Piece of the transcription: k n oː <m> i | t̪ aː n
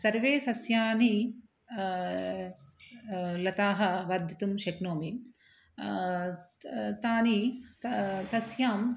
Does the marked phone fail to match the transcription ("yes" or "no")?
no